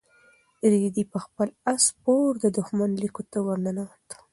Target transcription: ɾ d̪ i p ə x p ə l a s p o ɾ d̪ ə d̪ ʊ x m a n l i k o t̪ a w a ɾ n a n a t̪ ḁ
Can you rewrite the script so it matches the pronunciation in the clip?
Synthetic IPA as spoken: ɾ d̪ i p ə x p ə l a s p o ɾ d̪ ə d̪ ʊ x m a n l i k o t̪ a w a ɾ n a n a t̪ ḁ